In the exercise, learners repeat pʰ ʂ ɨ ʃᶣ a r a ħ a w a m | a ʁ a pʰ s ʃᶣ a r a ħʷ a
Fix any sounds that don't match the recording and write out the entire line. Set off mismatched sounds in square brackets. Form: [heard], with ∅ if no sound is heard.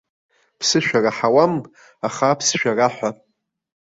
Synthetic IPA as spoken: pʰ [s] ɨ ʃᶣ a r a ħ a w a m | a [χ] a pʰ s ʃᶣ a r a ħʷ a